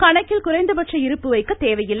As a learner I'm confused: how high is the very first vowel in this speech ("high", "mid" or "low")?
low